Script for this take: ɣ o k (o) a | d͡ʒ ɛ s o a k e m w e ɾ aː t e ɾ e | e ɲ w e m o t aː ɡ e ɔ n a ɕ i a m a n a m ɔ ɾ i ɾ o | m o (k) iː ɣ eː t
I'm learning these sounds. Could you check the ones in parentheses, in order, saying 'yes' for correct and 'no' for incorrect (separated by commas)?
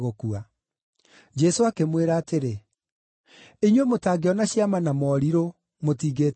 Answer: no, no